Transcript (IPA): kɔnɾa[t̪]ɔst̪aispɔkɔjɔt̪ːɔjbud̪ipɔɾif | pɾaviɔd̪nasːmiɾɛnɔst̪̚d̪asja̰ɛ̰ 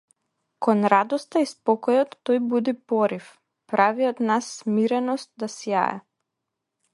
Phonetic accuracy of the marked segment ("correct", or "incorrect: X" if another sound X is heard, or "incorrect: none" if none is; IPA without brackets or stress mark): incorrect: d̪